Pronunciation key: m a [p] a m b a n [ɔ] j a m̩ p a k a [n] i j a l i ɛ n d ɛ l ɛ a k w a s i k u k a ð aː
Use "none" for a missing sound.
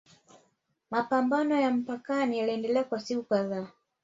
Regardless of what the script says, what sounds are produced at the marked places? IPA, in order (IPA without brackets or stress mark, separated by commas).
p, ɔ, n